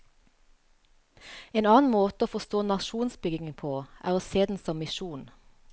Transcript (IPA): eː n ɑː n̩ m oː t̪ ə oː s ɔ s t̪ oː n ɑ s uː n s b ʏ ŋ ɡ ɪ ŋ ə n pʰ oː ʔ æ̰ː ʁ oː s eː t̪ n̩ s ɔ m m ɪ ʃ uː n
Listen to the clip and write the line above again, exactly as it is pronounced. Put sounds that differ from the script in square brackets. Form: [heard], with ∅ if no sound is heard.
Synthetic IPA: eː n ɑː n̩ m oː t̪ ə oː [f] ɔ s t̪ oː n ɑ [ʃ] uː n s b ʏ [∅] ɡ ɪ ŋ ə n pʰ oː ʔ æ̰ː ʁ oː s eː [d̪] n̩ s ɔ m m ɪ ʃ uː n